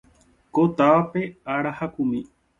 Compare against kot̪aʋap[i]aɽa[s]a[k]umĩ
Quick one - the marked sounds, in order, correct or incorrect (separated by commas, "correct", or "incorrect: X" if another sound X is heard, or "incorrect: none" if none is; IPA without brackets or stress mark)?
incorrect: e, incorrect: h, correct